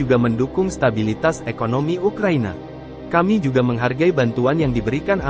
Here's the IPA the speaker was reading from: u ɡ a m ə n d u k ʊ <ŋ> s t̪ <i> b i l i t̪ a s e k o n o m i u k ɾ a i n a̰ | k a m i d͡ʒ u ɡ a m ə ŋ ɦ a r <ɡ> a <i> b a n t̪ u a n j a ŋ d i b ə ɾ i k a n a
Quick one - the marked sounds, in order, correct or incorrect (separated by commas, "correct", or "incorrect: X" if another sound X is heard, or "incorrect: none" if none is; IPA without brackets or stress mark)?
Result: correct, incorrect: a, correct, correct